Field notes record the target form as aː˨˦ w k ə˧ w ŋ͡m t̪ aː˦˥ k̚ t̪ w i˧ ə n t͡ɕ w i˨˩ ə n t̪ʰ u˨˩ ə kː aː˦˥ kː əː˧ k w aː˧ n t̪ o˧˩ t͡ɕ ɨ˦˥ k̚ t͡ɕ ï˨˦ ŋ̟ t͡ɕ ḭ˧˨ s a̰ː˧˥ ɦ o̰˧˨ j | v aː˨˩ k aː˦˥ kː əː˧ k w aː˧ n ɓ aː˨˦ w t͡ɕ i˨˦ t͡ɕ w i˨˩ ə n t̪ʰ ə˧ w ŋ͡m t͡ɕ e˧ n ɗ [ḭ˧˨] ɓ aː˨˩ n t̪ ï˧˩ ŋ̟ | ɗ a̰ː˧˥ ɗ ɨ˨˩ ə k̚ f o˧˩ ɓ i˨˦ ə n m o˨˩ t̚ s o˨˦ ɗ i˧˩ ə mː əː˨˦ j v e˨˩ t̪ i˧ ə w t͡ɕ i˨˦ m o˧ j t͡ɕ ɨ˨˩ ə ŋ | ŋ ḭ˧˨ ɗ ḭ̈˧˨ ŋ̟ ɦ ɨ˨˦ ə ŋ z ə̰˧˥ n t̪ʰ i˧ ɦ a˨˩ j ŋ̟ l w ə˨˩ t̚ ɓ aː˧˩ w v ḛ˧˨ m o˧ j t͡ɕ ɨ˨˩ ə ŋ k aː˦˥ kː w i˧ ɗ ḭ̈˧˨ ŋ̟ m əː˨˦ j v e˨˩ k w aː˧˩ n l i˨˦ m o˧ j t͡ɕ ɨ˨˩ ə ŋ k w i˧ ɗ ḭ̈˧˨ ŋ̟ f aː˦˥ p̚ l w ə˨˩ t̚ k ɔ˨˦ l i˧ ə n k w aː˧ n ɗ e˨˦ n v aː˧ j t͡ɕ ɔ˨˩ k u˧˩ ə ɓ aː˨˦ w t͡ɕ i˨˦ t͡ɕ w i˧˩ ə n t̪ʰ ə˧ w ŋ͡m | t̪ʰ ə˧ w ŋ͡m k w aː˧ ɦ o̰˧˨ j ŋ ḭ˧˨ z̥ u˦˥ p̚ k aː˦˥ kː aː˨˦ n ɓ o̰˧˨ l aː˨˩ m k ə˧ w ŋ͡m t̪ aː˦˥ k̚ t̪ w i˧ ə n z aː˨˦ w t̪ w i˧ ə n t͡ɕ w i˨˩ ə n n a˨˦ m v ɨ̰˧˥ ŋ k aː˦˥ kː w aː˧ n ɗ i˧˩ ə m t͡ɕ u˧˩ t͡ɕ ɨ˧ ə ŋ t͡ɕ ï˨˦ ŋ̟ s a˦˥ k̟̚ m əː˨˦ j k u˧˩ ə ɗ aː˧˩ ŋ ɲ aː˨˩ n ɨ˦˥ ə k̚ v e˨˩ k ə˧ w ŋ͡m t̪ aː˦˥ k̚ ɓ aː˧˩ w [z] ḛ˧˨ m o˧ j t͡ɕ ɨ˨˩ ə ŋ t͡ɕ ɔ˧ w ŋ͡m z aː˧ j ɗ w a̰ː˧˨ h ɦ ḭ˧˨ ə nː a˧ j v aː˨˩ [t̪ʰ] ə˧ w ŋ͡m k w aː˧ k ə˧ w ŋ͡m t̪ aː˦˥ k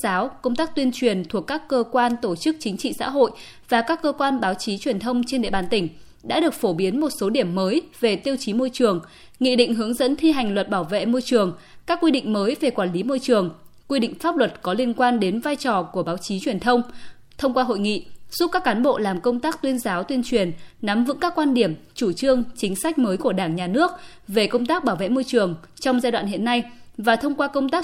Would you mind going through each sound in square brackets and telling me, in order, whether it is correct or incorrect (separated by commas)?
incorrect, incorrect, correct